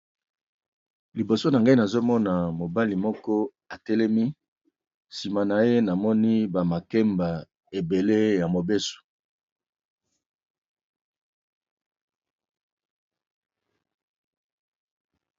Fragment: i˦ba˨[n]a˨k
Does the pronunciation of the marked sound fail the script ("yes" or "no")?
yes